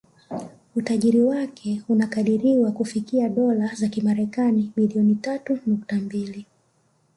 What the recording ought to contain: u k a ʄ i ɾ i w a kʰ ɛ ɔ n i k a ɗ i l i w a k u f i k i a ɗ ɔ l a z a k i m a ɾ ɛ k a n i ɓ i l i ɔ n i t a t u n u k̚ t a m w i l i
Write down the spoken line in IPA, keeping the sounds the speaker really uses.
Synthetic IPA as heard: u t a ʄ i ɾ i w a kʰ ɛ u n a k a ɗ i ɾ i w a k u f i k i a ɗ ɔ l a z a k i m a ɾ ɛ k a n i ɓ i l i ɔ n i t a t u n u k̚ t a m b i l i